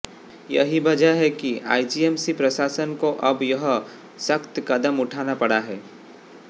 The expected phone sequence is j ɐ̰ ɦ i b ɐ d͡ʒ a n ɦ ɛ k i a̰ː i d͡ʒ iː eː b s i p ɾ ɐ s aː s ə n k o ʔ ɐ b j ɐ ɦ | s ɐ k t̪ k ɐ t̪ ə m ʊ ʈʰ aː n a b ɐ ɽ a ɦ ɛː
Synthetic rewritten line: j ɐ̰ ɦ i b ɐ d͡ʒ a ɦ ɛ k i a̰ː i d͡ʒ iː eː m s i p ɾ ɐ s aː s ə n k o ʔ ɐ b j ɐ ɦ | s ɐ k t̪ k ɐ d̪ ə m ʊ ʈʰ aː n a p ɐ ɽ a ɦ ɛː